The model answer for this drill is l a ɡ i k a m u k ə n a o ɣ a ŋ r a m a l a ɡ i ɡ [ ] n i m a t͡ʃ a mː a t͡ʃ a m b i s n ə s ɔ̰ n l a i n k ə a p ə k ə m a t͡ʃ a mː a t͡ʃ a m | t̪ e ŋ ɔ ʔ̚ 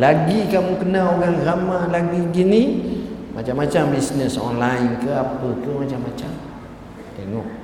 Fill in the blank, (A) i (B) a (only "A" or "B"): A